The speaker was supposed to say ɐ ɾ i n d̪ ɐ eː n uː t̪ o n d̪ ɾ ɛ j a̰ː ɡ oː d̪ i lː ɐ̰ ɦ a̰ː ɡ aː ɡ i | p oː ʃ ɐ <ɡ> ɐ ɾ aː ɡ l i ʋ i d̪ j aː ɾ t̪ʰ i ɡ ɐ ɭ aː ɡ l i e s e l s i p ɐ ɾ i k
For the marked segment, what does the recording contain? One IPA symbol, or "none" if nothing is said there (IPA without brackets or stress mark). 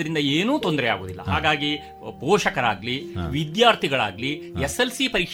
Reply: k